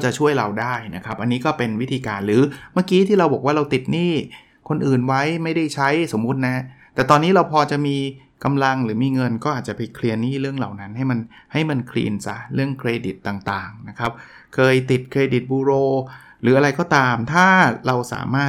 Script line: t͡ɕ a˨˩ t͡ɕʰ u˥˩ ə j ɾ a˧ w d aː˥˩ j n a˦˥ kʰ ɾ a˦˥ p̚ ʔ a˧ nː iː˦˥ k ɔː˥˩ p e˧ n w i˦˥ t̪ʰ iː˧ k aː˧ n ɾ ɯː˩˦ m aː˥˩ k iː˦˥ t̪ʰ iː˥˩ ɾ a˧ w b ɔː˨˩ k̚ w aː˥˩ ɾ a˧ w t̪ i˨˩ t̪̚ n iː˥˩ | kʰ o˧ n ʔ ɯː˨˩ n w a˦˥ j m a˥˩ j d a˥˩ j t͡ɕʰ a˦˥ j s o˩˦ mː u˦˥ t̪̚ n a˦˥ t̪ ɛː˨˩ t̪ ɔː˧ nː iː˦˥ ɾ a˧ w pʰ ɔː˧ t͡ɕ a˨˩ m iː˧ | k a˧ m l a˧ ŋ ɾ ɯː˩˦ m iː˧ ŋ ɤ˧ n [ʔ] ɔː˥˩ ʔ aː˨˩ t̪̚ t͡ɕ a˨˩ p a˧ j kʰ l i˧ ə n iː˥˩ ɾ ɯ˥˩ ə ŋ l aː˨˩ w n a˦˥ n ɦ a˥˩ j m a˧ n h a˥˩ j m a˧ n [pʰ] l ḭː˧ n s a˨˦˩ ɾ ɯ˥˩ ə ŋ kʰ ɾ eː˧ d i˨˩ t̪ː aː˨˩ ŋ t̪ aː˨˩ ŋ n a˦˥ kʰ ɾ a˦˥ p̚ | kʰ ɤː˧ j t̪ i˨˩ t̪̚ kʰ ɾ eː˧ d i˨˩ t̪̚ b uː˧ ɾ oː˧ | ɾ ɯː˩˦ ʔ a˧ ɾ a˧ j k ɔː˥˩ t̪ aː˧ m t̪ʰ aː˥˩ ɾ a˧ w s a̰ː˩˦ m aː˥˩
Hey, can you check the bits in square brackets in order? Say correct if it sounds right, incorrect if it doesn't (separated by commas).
incorrect, incorrect